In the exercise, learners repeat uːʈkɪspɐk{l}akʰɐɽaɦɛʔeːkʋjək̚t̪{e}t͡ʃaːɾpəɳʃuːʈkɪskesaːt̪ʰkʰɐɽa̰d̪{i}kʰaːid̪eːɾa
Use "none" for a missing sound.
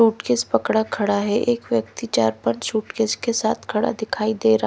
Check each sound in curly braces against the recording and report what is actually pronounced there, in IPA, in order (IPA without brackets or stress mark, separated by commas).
ɽ, i, ɪ